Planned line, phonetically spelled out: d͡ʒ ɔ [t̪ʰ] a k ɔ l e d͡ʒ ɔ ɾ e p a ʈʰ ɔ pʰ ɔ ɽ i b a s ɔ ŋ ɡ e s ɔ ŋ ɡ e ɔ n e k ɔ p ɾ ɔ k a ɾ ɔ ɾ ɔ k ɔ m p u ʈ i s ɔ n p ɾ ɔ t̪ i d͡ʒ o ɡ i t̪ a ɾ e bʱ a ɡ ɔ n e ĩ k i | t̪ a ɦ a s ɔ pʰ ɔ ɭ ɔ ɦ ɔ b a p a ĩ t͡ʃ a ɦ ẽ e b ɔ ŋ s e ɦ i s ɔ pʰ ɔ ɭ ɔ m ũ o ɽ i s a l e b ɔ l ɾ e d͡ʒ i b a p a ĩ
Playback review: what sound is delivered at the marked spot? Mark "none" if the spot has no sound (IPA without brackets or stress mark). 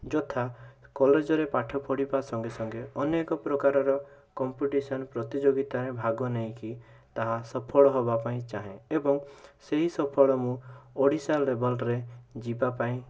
t̪ʰ